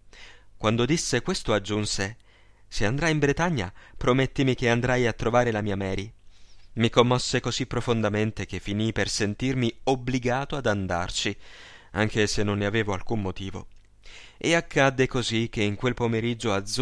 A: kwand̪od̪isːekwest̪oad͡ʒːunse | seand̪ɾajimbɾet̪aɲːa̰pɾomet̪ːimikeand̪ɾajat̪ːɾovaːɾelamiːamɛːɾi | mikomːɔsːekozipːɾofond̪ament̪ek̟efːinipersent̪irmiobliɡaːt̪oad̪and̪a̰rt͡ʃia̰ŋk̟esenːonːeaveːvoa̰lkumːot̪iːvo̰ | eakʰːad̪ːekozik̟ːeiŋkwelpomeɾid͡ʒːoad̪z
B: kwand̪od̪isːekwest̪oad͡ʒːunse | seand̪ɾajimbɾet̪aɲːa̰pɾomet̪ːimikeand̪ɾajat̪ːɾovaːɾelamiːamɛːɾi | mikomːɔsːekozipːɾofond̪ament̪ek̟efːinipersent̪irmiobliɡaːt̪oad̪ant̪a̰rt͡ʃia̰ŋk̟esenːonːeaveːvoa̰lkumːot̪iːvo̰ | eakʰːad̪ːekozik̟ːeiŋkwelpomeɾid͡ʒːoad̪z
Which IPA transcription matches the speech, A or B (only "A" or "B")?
A